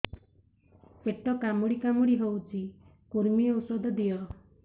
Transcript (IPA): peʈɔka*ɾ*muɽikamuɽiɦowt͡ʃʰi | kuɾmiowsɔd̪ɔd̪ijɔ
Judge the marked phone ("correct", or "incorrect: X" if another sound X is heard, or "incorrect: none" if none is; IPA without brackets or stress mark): incorrect: none